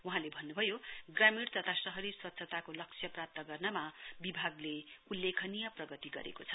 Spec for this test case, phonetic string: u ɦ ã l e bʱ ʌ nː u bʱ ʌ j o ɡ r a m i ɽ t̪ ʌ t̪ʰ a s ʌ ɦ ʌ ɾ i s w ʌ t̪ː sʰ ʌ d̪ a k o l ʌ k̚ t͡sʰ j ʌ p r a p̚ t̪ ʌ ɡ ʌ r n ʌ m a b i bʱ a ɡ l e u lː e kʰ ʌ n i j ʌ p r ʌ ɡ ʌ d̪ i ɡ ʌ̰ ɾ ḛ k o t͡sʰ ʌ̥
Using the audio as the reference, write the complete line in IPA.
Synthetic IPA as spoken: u ɦ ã l e bʱ ʌ nː u bʱ ʌ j o ɡ r a m i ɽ t̪ ʌ t̪ʰ a s ʌ ɦ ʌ ɾ i s w ʌ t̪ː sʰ ʌ t̪ a k o l ʌ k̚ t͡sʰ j ʌ p r a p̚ t̪ ʌ ɡ ʌ r n ʌ m a b i bʱ a ɡ l e u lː e kʰ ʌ n i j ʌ p r ʌ ɡ ʌ t̪ i ɡ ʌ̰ ɾ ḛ k o t͡sʰ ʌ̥

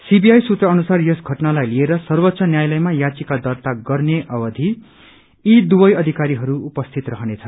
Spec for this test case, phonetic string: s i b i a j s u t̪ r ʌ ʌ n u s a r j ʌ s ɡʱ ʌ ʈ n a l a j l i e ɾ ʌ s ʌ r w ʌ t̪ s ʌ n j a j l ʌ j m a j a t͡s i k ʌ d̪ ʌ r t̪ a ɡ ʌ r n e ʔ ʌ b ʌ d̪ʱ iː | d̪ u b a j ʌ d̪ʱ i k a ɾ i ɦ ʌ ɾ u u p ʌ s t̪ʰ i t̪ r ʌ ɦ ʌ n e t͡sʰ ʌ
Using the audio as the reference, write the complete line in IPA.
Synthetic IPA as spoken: s i b i a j s u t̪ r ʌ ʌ n u s a r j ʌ s ɡʱ ʌ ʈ n a l a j l i e ɾ ʌ s ʌ r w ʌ t̪ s ʌ n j a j l ʌ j m a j a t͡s i k a d̪ ʌ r t̪ a ɡ ʌ r n e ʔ ʌ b ʌ d̪ʱ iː | d̪ u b ʌ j ʌ d̪ʱ i k a ɾ i ɦ ʌ ɾ u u p ʌ s t̪ʰ i t̪ r ʌ ɦ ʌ n e t͡sʰ ʌ

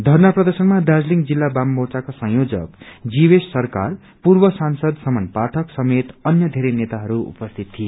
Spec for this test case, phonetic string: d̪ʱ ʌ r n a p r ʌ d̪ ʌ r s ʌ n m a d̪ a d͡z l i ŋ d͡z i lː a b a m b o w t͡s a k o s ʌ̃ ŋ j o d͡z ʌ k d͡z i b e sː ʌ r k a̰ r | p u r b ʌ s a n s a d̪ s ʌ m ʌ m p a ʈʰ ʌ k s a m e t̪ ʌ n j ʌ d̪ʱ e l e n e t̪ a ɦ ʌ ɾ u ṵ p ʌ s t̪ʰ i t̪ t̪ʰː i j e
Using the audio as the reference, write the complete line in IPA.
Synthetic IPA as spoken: d̪ʱ ʌ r n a p r ʌ d̪ ʌ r s ʌ n m a d̪ a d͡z l i ŋ d͡z i lː a b a m b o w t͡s a k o s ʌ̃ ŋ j o d͡z ʌ k d͡z i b e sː ʌ r k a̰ r | p u r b ʌ s a n s ʌ d̪ s ʌ m ʌ n p a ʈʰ ʌ k s ʌ m e t̪ ʌ n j ʌ d̪ʱ e ɾ e n e t̪ a ɦ ʌ ɾ u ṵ p ʌ s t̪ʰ i t̪ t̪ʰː i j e

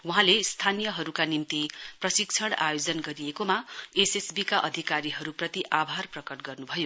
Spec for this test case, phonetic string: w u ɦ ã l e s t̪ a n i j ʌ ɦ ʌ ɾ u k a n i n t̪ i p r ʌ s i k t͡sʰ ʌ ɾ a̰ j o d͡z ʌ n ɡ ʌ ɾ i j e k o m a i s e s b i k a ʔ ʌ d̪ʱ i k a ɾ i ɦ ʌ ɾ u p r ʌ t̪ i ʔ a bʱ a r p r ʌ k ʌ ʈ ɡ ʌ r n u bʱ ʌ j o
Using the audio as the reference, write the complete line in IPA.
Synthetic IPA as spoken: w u ɦ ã l e s t̪ʰ a n i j ʌ ɦ ʌ ɾ u k a n i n t̪ i p r ʌ s i k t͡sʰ ʌ ɽ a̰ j o d͡z ʌ n ɡ ʌ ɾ i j e k o m a e s e s b i k a ʔ ʌ d̪ʱ i k a ɾ i ɦ ʌ ɾ u p r ʌ t̪ i ʔ a bʱ a r p r ʌ k ʌ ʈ ɡ ʌ r n u bʱ ʌ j o

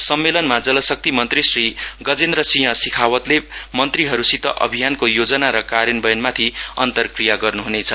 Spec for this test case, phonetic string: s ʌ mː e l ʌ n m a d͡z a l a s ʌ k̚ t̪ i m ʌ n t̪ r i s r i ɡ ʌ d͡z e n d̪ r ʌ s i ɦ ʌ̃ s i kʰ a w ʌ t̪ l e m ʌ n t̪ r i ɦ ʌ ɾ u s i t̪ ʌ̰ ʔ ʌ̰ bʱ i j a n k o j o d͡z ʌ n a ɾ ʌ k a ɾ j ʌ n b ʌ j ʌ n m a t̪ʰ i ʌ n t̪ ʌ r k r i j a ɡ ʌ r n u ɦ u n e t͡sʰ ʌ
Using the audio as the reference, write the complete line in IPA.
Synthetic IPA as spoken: s ʌ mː e l ʌ n m a d͡z ʌ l ʌ s ʌ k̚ t̪ i m ʌ n t̪ r i s r i ɡ ʌ d͡z e n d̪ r ʌ s i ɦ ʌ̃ s i kʰ a w ʌ t̪ l e m ʌ n t̪ r i ɦ ʌ ɾ u s i t̪ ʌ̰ ʔ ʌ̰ bʱ i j a n k o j o d͡z ʌ n a ɾ ʌ k a ɾ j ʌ n b ʌ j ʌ n m a t̪ʰ i ʌ n t̪ ʌ r k r i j a ɡ ʌ r n u ɦ u n e t͡sʰ ʌ

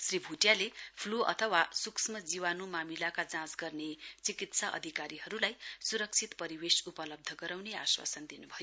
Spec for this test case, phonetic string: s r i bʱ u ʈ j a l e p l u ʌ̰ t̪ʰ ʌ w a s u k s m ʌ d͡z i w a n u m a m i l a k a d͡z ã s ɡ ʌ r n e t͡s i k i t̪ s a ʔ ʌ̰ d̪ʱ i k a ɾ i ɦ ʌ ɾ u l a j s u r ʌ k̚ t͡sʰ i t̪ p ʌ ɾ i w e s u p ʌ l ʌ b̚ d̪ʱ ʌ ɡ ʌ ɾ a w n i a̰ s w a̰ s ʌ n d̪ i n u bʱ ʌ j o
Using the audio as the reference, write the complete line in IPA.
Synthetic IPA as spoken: s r i bʱ u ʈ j a l e pʰ l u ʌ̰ t̪ʰ ʌ w a s u k s m ʌ d͡z i w a n u m a m i l a k a d͡z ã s ɡ ʌ r n e t͡s i k i t̪ s a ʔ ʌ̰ d̪ʱ i k a ɾ i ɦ ʌ ɾ u l a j s u ɾ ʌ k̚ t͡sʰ i t̪ p ʌ ɾ i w e s u p ʌ l ʌ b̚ d̪ʱ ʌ ɡ ʌ ɾ a w n e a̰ s w a̰ s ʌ n d̪ i n u bʱ ʌ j o

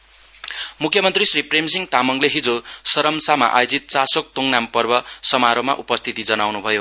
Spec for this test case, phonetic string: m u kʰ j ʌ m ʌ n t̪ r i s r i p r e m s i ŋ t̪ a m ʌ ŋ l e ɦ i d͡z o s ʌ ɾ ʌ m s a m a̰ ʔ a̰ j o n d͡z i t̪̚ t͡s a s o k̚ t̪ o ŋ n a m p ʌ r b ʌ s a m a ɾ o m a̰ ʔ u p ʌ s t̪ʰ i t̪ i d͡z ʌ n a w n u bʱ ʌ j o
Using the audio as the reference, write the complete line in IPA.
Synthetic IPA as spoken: m u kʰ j ʌ m ʌ n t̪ r i s r i p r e m s i ŋ t̪ a m ʌ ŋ l e ɦ i d͡z o s ʌ ɾ ʌ m s a m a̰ ʔ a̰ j o d͡z i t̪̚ t͡s a s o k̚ t̪ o ŋ n a m p ʌ r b ʌ s ʌ m a ɾ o m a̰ ʔ u p ʌ s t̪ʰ i t̪ i d͡z ʌ n a w n u bʱ ʌ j o

